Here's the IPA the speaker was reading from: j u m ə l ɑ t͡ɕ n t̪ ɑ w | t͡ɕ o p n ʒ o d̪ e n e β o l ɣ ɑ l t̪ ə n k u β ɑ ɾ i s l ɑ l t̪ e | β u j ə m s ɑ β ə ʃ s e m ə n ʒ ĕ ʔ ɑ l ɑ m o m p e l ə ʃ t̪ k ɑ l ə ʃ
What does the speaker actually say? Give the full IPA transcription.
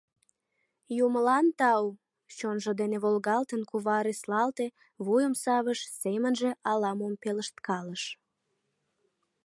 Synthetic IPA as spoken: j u m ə l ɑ n t̪ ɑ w | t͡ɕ o n ʒ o d̪ e n e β o l ɣ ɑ l t̪ ə n k u β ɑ ɾ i s l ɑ l t̪ e | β u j ə m s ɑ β ə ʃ s e m ə n ʒ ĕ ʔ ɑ l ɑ m o m p e l ə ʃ t̪ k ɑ l ə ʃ